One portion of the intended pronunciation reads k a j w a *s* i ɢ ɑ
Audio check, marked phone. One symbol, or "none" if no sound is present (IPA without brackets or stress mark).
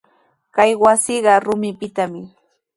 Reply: s